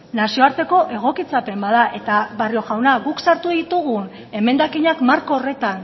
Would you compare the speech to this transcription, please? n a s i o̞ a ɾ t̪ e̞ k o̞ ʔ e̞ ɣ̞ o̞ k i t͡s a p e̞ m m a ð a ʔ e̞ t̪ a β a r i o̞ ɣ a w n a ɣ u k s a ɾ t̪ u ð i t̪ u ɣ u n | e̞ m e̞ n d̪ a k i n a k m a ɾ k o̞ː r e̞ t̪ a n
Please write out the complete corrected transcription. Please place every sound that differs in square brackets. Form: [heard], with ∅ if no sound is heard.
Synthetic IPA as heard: n a s i o̞ a ɾ t̪ e̞ k o̞ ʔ e̞ ɣ̞ o̞ k i t͡s a p e̞ m [b] a ð a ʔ e̞ t̪ a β a r i o̞ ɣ a w n a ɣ u k s a ɾ t̪ u ð i t̪ u ɣ u n | e̞ m e̞ n d̪ a k i [ɲ] a k m a ɾ k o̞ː r e̞ t̪ a n